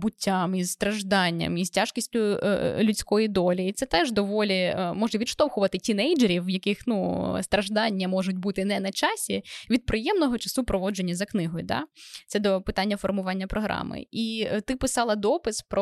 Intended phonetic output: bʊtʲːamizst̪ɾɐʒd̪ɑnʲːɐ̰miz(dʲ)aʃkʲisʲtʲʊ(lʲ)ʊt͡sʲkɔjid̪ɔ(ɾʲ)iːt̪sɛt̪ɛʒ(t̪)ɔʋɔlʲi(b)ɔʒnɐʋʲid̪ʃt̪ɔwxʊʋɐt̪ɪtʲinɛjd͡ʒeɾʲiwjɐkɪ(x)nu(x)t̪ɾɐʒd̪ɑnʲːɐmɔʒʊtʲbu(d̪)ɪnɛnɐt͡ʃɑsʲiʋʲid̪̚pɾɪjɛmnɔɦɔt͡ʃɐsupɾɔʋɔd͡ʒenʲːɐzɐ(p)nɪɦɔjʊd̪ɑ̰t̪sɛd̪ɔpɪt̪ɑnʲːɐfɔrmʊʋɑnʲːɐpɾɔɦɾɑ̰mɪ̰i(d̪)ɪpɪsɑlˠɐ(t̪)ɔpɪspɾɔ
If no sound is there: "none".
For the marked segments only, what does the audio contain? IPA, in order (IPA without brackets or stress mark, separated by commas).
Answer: tʲ, lʲ, lʲ, d̪, m, x, s, t̪, k, t̪, d̪